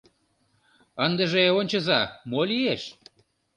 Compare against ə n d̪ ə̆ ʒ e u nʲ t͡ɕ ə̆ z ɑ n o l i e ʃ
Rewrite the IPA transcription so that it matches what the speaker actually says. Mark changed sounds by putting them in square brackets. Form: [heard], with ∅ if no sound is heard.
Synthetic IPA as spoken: ə n d̪ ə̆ ʒ e [o] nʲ t͡ɕ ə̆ z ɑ [m] o l i e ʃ